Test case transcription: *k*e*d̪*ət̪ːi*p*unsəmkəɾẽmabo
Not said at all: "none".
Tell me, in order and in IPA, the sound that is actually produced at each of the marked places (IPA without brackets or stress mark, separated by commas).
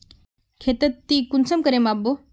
kʰ, t̪, k